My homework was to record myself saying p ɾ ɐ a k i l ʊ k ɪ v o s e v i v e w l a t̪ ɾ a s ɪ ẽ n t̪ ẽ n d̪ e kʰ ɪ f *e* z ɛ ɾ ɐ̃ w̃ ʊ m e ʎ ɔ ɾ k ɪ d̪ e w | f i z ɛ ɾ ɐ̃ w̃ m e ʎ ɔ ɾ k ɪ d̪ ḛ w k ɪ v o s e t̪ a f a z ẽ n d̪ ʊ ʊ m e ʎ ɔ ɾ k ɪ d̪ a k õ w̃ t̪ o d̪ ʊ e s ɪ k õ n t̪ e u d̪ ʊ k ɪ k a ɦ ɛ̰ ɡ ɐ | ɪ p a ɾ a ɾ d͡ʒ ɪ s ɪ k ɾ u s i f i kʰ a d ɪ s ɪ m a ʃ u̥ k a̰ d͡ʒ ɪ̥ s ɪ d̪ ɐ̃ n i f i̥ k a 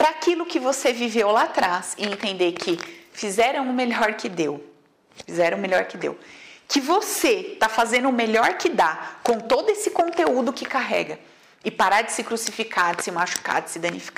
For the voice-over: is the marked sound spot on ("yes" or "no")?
no